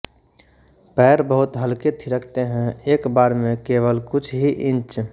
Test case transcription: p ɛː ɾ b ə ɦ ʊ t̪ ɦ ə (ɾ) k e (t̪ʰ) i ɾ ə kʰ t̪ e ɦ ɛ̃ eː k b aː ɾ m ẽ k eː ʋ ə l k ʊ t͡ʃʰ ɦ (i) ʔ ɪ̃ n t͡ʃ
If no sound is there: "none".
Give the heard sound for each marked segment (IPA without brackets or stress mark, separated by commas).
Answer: l, t̪ʰ, i